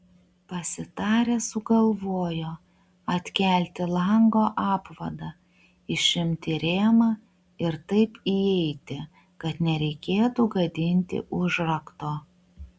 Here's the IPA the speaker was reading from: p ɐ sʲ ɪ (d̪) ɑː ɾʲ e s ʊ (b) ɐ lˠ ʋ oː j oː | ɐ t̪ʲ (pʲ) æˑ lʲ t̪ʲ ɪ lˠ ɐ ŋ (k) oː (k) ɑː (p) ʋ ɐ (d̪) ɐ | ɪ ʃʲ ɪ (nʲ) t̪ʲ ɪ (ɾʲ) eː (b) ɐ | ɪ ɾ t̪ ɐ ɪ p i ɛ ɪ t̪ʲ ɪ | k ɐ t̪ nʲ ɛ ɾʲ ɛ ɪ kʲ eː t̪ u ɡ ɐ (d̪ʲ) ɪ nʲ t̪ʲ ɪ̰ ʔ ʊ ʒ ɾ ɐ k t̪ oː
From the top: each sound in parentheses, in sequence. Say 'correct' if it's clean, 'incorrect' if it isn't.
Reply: incorrect, incorrect, incorrect, incorrect, incorrect, correct, correct, incorrect, correct, incorrect, correct

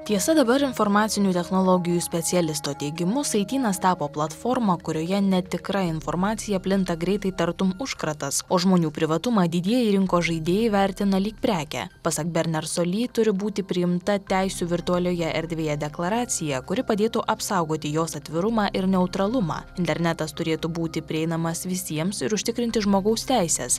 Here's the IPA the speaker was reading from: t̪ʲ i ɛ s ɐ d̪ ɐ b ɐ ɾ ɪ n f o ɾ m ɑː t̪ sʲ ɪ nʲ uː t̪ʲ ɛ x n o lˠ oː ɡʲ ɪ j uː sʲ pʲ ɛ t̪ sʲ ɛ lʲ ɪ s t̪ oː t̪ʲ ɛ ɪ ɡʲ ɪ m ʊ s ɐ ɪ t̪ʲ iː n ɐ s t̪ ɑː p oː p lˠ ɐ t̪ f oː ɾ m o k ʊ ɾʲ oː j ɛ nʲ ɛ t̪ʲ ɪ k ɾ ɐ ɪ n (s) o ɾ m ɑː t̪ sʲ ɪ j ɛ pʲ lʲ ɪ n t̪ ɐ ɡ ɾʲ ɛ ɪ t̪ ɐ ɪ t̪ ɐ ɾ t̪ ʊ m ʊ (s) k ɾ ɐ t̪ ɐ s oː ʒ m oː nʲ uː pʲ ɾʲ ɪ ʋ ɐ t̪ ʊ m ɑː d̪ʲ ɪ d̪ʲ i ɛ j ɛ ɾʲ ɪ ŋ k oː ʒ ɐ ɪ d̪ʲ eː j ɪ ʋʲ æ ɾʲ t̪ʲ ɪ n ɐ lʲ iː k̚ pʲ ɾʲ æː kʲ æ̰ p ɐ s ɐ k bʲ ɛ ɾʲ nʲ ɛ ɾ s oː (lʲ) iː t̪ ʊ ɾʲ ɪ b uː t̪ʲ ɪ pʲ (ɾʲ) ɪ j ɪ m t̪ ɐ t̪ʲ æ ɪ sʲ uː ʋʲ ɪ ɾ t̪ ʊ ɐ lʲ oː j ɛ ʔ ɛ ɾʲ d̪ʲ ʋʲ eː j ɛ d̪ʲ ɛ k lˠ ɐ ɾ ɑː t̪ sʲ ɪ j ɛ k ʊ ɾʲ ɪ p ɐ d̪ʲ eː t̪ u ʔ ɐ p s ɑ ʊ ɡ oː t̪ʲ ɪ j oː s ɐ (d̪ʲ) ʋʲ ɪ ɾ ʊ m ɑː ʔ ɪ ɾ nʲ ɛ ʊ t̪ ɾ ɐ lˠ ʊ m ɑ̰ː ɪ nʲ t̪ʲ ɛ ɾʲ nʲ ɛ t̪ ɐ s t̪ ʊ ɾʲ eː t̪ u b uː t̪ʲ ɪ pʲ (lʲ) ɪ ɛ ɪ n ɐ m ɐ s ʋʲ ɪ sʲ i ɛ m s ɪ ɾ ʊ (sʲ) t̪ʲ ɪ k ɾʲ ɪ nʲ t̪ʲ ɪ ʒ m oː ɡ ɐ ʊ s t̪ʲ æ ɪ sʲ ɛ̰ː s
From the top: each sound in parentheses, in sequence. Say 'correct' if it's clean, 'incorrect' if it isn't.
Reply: incorrect, incorrect, correct, correct, incorrect, incorrect, incorrect

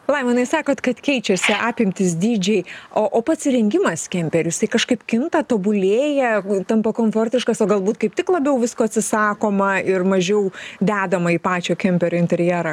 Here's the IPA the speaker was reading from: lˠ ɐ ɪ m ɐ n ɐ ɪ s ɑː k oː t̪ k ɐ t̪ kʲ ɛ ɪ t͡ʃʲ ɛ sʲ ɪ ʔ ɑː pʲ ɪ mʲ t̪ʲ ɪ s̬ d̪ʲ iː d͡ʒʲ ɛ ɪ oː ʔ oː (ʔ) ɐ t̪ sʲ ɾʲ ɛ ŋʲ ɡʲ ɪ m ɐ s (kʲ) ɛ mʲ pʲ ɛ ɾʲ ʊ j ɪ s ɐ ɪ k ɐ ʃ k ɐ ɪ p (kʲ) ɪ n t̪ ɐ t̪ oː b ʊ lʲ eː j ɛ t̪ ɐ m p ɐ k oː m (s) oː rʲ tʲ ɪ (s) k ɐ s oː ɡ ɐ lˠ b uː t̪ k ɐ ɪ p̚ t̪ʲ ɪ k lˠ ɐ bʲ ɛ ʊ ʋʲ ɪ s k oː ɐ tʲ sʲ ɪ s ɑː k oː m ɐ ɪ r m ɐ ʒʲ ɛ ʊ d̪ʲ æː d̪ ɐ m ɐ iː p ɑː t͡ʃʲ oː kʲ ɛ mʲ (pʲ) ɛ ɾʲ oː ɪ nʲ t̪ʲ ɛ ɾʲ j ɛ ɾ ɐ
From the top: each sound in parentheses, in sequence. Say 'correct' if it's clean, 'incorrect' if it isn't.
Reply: incorrect, correct, correct, incorrect, incorrect, correct

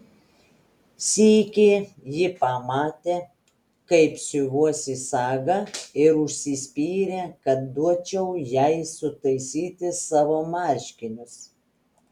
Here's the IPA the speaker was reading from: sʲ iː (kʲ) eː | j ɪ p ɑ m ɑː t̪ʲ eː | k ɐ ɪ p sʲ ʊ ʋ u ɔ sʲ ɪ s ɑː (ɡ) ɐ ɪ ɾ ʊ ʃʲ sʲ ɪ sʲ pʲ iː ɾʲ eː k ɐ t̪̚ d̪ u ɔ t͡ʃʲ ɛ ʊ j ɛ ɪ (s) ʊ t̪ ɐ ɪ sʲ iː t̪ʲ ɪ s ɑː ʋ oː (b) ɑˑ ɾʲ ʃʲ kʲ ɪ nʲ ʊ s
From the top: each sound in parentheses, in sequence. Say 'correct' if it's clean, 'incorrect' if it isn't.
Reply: correct, correct, correct, incorrect

